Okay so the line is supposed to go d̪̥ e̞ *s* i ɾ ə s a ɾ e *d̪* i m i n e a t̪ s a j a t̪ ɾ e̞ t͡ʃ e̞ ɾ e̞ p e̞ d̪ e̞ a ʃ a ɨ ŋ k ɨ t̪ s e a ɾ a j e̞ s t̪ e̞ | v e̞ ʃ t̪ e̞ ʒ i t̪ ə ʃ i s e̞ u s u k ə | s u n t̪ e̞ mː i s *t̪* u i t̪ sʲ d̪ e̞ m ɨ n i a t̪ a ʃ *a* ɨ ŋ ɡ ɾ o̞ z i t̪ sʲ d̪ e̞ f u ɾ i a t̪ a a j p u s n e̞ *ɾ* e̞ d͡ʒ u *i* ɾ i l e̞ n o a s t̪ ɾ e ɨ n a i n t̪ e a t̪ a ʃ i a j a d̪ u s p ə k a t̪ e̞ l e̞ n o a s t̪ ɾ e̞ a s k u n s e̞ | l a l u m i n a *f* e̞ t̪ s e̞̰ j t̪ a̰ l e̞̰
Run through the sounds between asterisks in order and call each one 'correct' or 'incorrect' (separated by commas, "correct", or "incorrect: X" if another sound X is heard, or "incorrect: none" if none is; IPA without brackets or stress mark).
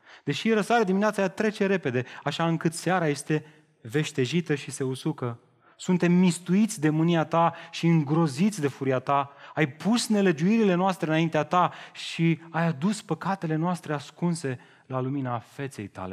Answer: incorrect: ʃ, correct, correct, incorrect: i, incorrect: l, correct, correct